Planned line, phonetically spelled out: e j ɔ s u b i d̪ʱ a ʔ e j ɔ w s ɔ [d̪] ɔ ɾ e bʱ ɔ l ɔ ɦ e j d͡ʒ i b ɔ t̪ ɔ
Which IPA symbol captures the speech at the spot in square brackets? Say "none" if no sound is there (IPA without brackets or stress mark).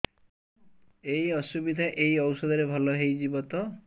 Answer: d̪